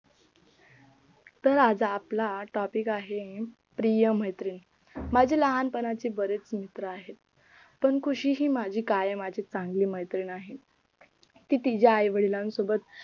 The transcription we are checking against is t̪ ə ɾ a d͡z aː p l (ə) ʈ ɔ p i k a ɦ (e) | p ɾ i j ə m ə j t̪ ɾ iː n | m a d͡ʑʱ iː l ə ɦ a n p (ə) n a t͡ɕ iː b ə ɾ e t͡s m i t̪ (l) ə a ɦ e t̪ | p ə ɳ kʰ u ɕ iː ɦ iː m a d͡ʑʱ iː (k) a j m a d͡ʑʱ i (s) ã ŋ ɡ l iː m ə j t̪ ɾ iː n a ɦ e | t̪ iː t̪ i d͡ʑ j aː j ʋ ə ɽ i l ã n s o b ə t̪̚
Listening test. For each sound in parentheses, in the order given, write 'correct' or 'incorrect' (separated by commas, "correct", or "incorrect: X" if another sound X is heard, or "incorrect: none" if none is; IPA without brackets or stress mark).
incorrect: a, correct, correct, incorrect: ɾ, correct, incorrect: t͡s